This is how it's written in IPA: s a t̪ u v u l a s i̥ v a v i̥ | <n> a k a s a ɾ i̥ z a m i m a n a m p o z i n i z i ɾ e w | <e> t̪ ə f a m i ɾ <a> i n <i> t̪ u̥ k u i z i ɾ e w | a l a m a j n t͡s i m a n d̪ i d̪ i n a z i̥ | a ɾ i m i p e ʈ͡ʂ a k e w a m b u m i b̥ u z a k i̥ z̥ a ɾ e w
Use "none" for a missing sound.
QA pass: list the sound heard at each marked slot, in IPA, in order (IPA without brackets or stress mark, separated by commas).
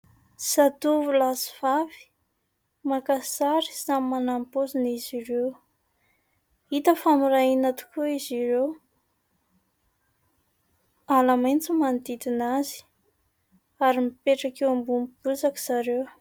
m, i, a, a